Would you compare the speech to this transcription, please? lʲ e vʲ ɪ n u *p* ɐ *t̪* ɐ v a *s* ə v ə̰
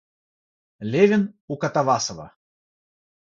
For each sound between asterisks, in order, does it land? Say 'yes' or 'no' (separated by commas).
no, yes, yes